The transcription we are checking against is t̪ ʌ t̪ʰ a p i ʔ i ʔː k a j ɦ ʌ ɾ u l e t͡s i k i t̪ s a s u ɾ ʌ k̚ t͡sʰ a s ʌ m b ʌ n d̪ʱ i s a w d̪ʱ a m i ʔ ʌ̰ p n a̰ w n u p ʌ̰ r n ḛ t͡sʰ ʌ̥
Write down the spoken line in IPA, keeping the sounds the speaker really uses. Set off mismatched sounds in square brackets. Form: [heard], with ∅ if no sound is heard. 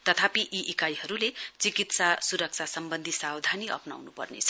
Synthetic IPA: t̪ ʌ t̪ʰ a p i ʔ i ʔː k a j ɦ ʌ ɾ u l e t͡s i k i t̪ s a s u ɾ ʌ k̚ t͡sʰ a s ʌ m b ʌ n d̪ʱ i s a w d̪ʱ a [n] i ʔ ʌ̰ p n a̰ w n u p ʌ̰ r n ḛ t͡sʰ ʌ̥

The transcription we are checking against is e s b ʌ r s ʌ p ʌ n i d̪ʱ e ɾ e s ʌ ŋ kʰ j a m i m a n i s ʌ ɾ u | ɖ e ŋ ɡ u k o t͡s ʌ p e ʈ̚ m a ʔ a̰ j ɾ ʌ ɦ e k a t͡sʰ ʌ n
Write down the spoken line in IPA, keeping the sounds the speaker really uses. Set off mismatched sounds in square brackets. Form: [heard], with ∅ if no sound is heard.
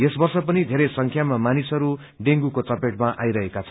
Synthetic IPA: e s b ʌ r s ʌ p ʌ n i d̪ʱ e ɾ e s ʌ ŋ kʰ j a m [a] m a n i s ʌ ɾ u | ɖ e ŋ ɡ u k o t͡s ʌ p e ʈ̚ m a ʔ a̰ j ɾ ʌ ɦ e k a t͡sʰ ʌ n

